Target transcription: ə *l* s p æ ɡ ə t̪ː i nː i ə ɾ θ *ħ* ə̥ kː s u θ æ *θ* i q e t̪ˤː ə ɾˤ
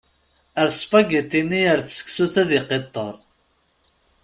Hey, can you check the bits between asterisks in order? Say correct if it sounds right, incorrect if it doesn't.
incorrect, incorrect, incorrect

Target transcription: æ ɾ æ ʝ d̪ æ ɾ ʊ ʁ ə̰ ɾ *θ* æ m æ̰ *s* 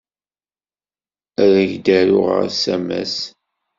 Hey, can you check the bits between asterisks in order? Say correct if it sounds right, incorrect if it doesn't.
incorrect, correct

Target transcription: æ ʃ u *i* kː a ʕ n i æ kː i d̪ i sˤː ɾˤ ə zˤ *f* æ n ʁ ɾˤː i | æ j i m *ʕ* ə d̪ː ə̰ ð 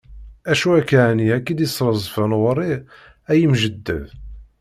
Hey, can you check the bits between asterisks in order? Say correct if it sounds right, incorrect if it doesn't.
incorrect, correct, incorrect

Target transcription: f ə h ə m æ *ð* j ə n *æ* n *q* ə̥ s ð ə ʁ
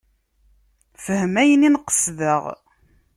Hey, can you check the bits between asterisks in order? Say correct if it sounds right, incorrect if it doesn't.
incorrect, incorrect, correct

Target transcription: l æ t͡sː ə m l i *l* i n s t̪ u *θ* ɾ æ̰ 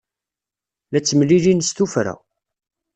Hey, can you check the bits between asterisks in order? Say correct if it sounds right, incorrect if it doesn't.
correct, incorrect

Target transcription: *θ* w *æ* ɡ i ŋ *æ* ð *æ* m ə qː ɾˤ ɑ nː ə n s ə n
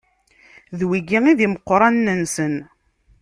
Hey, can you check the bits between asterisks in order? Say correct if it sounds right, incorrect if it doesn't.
incorrect, incorrect, incorrect, incorrect

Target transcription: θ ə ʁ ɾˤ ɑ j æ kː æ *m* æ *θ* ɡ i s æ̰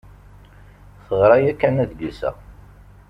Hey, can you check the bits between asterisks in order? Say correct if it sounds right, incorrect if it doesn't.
incorrect, incorrect

